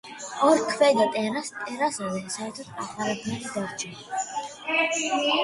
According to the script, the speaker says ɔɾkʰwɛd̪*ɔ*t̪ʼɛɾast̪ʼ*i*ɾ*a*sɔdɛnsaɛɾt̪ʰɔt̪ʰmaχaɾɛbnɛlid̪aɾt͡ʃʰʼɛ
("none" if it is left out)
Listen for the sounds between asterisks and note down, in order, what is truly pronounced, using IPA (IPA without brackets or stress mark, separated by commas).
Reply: ɔ, ɛ, a